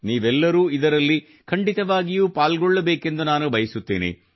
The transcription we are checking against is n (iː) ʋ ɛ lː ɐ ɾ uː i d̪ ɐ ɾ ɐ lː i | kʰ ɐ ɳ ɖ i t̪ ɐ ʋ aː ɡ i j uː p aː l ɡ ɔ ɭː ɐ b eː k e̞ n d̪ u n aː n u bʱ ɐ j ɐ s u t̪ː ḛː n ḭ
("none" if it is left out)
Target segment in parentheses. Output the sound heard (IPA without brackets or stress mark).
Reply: iː